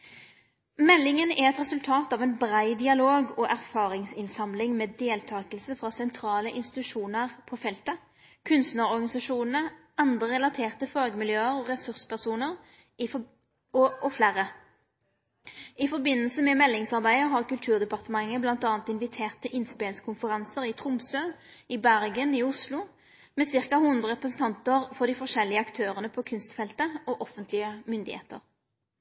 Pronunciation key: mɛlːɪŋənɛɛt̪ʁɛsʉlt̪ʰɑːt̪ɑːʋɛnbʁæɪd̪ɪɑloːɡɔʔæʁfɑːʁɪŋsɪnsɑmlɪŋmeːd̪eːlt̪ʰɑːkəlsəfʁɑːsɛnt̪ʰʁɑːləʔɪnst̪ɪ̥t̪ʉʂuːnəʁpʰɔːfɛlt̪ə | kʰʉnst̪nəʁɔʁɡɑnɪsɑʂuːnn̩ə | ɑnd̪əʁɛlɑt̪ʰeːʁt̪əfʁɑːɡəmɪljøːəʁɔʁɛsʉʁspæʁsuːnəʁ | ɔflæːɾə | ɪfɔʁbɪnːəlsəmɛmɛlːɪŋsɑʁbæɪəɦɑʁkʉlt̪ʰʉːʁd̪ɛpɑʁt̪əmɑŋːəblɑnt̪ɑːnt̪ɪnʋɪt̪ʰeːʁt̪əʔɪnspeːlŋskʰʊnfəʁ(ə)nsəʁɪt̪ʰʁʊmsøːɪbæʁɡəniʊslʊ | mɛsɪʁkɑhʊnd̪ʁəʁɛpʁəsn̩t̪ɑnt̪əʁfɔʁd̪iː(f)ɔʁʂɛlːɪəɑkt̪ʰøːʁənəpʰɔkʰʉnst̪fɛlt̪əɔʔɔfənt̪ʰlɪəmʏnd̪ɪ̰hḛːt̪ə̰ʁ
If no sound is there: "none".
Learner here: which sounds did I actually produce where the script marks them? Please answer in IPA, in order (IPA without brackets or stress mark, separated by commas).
ɑ, f